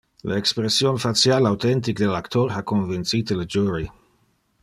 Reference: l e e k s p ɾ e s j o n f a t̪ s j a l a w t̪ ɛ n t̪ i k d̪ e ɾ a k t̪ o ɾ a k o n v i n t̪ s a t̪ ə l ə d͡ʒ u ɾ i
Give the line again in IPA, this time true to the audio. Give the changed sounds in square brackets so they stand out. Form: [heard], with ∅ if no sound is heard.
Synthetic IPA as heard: l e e k s p ɾ e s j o n f a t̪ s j a l a w t̪ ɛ n t̪ i k d̪ e [l] a k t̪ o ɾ a k o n v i n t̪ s [i] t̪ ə l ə d͡ʒ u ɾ i